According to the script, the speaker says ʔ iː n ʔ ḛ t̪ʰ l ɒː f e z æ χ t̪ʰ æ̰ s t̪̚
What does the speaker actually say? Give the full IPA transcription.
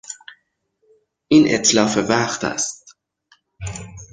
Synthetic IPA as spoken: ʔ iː n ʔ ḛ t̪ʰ l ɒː f e v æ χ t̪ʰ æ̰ s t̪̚